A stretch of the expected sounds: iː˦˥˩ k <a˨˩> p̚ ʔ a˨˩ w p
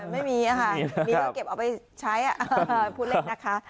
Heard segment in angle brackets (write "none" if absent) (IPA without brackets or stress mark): e˨˩